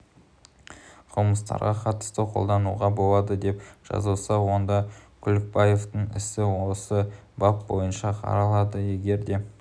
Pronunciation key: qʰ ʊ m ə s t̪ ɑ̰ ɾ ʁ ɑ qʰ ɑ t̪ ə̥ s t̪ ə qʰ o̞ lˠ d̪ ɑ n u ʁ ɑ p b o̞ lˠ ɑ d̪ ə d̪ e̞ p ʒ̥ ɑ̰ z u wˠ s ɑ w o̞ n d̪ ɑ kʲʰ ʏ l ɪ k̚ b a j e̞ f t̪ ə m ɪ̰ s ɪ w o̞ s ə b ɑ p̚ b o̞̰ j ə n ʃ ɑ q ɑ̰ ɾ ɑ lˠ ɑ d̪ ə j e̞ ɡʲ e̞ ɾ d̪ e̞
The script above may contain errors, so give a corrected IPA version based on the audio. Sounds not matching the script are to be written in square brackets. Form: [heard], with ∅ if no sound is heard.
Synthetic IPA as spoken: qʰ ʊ m ə s t̪ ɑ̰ ɾ ʁ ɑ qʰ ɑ t̪ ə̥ s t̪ ə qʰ o̞ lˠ d̪ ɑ n u ʁ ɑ [∅] b o̞ lˠ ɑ d̪ ə d̪ e̞ p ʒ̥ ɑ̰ z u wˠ s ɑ w o̞ n d̪ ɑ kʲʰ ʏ l ɪ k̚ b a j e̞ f t̪ ə [ɴ] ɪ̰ s ɪ w o̞ s ə b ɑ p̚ b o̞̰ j ə n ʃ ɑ [qʰ] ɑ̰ ɾ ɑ lˠ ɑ d̪ ə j e̞ ɡʲ e̞ ɾ d̪ e̞